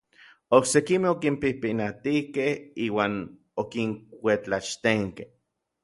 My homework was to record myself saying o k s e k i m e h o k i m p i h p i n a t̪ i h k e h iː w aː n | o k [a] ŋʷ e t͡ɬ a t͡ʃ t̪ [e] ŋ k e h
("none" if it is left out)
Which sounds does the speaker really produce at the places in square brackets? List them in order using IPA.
i, e

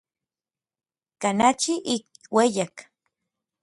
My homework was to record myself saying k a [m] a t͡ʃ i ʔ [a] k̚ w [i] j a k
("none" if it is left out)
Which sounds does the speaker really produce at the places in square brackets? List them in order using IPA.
n, i, e

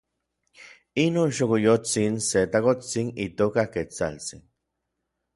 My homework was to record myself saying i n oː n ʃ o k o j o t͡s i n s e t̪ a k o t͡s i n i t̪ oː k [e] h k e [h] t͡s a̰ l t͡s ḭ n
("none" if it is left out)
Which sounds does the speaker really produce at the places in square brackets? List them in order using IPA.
a, none

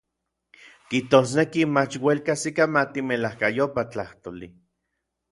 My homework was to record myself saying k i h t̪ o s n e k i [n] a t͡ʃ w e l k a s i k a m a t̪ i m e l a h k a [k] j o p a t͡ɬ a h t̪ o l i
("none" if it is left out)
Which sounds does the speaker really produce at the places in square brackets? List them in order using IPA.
m, none

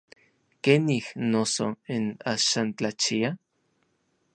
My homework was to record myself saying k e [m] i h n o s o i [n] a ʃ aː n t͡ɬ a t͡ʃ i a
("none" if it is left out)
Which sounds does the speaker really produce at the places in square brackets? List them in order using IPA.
n, n

